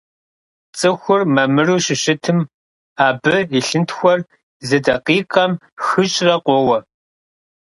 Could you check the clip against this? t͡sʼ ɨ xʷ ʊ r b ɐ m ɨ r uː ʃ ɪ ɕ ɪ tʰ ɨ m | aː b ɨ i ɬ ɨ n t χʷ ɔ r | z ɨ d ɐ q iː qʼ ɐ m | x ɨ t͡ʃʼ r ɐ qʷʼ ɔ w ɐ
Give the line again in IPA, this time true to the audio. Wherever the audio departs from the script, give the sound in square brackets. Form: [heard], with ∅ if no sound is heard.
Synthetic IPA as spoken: t͡sʼ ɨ xʷ ʊ r [m] ɐ m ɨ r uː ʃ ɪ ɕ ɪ tʰ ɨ m | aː b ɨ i ɬ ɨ n t [xʷ] ɔ r | z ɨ d ɐ q iː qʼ ɐ m | x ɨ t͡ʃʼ r ɐ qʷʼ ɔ w ɐ